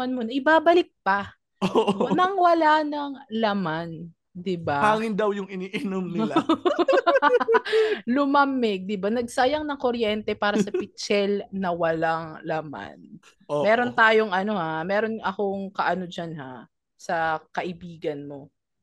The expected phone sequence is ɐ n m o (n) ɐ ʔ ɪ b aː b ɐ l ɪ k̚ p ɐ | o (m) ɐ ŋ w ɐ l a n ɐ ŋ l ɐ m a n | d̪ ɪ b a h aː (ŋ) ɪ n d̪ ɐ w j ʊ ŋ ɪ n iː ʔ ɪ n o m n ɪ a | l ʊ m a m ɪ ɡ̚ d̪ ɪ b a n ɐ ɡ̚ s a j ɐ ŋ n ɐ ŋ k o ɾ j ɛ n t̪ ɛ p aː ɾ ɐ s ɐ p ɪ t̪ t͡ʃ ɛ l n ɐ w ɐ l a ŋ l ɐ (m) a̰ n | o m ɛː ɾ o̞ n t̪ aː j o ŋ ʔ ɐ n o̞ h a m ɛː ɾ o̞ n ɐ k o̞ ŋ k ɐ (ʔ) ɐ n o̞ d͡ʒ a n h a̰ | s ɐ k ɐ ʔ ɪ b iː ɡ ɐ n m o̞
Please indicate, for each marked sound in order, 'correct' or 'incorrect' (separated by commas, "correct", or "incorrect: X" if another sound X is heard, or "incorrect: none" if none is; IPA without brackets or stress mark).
correct, incorrect: n, correct, correct, correct